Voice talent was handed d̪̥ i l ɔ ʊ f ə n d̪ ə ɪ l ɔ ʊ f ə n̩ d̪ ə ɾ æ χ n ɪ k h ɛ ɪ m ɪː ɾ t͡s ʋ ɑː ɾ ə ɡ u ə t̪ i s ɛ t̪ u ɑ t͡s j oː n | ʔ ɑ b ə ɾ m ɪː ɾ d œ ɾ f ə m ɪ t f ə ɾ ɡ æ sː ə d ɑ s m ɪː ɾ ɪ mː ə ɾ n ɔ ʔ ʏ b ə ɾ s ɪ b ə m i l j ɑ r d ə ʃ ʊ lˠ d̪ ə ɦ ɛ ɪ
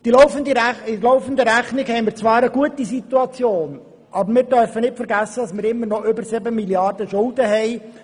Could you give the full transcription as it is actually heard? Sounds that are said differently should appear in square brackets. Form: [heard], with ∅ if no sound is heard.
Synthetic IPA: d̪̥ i l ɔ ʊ f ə n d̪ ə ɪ l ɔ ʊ f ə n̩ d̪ ə ɾ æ χ n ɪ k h ɛ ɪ m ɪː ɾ t͡s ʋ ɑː ɾ ə ɡ u ə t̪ i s [i] t̪ u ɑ t͡s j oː n | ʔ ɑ b ə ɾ m ɪː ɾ d œ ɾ f ə [n] ɪ t f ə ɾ ɡ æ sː ə d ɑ s m ɪː ɾ ɪ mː ə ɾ n ɔ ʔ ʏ b ə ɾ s ɪ b ə m i l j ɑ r d ə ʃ ʊ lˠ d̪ ə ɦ ɛ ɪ